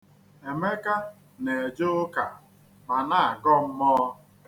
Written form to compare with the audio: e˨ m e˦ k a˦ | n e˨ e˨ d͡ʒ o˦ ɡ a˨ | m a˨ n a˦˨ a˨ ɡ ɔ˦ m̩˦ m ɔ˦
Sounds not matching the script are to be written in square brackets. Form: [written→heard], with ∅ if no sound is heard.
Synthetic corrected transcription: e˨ m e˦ k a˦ | n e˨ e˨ d͡ʒ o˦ [ɡ→k] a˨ | m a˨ n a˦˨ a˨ ɡ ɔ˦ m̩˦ m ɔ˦